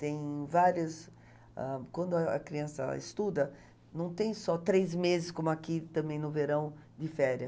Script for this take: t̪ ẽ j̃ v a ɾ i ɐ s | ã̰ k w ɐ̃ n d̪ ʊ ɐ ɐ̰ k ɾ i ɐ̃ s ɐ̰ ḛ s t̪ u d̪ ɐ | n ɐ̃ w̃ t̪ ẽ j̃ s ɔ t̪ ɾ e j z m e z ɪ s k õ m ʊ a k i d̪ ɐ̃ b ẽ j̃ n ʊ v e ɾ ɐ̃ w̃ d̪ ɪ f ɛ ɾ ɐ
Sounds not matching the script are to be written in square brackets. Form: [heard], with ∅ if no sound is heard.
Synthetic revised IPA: t̪ ẽ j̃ v a ɾ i ɐ s | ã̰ k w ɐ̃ n d̪ ʊ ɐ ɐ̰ k ɾ i ɐ̃ s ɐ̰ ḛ s t̪ u d̪ ɐ | n ɐ̃ w̃ t̪ ẽ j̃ s ɔ t̪ ɾ e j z m e z ɪ s k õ m ʊ a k i [t̪] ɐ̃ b ẽ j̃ n ʊ v e ɾ ɐ̃ w̃ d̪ ɪ f ɛ ɾ ɐ